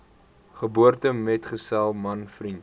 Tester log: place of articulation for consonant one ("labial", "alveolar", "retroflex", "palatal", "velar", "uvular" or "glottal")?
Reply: uvular